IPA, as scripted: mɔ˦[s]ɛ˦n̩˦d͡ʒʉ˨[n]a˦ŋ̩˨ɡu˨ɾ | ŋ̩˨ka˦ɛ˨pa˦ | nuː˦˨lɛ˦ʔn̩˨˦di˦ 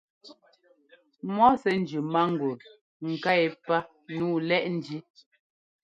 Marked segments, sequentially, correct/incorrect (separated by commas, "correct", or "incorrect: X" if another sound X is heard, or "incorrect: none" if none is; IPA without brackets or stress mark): correct, incorrect: m